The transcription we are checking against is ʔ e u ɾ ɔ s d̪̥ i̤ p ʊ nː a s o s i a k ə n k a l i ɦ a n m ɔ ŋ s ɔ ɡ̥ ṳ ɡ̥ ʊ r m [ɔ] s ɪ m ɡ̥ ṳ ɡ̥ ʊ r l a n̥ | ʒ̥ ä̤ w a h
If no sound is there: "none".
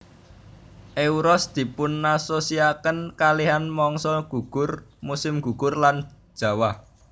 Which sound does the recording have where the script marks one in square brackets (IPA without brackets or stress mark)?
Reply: u